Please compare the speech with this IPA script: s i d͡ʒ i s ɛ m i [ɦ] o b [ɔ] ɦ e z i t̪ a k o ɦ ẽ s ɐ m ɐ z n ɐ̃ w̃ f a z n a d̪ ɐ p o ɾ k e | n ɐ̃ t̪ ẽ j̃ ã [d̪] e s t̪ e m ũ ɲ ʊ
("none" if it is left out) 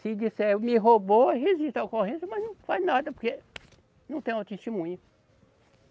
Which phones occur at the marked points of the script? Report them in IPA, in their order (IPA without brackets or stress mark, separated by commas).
ɦ, o, t̪